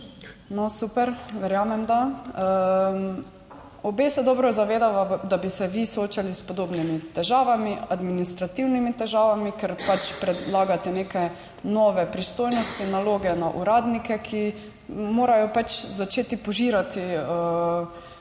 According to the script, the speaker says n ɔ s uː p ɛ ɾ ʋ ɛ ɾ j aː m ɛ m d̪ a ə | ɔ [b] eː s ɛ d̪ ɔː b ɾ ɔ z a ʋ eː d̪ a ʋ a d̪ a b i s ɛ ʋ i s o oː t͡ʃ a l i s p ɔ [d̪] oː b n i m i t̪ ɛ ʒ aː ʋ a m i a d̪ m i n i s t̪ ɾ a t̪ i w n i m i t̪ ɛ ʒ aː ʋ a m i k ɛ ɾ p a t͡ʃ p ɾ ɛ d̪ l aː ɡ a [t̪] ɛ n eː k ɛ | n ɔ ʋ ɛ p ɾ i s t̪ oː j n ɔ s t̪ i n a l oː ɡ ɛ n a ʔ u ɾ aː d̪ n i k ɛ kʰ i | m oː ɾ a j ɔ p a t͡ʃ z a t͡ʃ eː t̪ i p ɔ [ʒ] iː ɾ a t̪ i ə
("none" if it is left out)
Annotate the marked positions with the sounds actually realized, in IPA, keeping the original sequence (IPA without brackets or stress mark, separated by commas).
b, d̪, t̪, ʒ